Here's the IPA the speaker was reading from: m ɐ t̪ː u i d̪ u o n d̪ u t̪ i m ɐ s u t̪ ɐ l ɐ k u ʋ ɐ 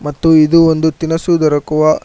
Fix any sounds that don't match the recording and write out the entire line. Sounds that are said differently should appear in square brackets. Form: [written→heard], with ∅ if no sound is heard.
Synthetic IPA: m ɐ t̪ː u i d̪ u o n d̪ u t̪ i [m→n] ɐ s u [t̪→d̪] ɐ [l→ɾ] ɐ k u ʋ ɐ